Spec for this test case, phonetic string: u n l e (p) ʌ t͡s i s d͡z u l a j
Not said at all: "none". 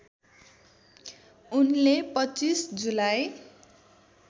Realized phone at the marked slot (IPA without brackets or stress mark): p